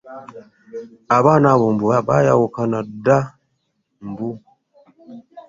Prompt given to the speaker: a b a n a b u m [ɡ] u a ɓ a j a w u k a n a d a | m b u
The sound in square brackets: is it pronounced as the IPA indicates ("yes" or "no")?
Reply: no